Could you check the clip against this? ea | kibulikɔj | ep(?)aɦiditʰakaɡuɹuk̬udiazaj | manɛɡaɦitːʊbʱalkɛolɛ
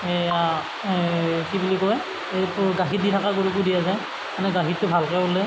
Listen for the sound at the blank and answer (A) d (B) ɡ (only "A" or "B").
B